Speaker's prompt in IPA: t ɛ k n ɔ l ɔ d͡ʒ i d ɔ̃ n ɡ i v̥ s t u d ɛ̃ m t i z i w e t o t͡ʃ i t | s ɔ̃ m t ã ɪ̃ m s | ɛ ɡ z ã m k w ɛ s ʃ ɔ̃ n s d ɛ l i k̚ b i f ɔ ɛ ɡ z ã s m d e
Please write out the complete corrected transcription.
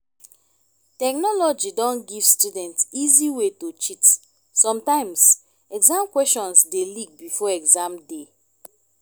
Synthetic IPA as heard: t ɛ k n ɔ l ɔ d͡ʒ i d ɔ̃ n ɡ i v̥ s t u d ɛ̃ n t i z i w e t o t͡ʃ i t | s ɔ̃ m t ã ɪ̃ m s | ɛ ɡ z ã m k w ɛ s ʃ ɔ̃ n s d e l i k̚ b i f ɔ ɛ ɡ z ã m d e